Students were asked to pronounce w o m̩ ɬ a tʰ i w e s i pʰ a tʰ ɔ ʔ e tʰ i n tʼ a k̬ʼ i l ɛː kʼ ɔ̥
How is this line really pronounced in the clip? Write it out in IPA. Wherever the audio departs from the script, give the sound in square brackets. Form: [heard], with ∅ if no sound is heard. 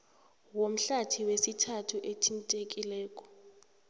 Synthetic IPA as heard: w o m̩ ɬ a tʰ i w e s i [tʰ] a tʰ [u] ʔ e tʰ i n tʼ [e] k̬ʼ i l ɛː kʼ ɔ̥